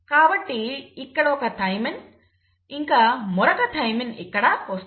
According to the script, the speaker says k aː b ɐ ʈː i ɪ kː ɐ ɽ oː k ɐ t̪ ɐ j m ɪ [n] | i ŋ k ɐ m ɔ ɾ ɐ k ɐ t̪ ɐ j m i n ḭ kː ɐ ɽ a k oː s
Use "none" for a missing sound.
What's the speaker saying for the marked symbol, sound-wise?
n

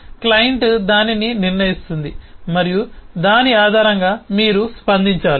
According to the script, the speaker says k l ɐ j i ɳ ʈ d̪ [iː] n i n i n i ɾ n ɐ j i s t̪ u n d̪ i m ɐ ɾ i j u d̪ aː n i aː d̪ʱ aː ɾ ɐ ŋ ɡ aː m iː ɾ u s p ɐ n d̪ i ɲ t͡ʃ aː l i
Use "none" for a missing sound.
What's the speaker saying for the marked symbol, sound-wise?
aː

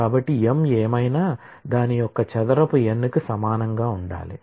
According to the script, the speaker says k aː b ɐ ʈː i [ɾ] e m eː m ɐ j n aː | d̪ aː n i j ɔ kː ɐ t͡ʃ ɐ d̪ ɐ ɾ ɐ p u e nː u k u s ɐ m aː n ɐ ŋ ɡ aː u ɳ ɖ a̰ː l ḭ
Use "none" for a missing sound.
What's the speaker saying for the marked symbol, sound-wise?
none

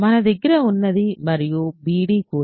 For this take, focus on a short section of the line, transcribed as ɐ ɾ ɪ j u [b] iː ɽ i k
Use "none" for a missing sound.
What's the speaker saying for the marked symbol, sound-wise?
b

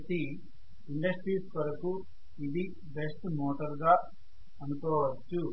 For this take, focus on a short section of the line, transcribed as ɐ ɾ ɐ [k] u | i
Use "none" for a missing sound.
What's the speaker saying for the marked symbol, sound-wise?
k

